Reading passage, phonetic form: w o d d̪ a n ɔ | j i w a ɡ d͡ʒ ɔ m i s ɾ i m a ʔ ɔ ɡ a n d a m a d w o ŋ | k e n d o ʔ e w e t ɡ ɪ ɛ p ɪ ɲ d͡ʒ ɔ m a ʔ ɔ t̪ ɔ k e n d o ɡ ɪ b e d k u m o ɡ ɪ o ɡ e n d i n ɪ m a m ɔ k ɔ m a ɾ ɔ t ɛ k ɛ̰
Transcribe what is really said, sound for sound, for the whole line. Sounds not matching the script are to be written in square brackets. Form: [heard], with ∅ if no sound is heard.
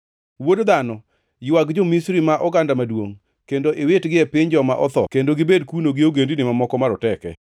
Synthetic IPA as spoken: w o d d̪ a n ɔ | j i w a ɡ d͡ʒ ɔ m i s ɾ i m a ʔ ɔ ɡ a n d a m a d w o ŋ | k e n d o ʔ e w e t ɡ ɪ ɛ p ɪ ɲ d͡ʒ ɔ m a ʔ ɔ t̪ ɔ k e n d o ɡ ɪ b e d k u [n] o ɡ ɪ o ɡ e n d i n ɪ m a m ɔ k ɔ m a ɾ ɔ t ɛ k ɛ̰